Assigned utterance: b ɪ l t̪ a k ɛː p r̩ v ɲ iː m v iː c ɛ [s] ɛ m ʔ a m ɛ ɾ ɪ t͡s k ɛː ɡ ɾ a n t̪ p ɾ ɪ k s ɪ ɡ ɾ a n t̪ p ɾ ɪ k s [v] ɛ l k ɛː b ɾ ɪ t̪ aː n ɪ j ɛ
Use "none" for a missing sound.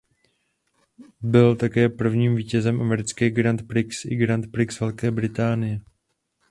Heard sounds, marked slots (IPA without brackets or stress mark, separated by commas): z, v